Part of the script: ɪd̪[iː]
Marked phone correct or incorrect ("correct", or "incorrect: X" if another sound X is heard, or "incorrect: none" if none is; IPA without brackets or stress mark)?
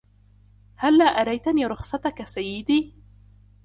correct